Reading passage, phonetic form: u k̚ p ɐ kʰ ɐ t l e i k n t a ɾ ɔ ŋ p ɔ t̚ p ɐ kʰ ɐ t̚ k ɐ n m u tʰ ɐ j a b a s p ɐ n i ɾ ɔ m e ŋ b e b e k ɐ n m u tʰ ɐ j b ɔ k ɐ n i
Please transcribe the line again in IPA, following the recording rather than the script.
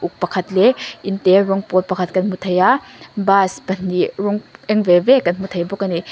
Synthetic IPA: u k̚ p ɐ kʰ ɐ t l e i n t e ɾ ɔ ŋ p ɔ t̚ p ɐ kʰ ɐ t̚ k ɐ n m u tʰ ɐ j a b a s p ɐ n i ɾ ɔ ŋ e ŋ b e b e k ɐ n m u tʰ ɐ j b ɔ k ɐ n i